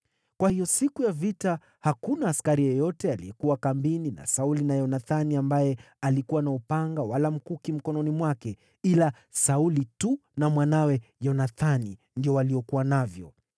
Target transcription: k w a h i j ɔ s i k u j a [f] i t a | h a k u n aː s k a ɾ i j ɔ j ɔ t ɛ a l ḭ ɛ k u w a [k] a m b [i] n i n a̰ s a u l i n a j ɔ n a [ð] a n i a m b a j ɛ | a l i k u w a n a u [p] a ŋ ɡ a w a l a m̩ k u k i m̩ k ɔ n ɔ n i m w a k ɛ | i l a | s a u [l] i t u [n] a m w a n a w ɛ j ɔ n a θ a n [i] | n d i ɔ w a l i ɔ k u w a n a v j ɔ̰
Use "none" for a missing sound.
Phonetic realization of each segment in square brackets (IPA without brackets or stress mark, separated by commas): v, k, i, θ, p, l, n, i